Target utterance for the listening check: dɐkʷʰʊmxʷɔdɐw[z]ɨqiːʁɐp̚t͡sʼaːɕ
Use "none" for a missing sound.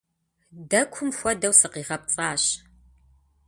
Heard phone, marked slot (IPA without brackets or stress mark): s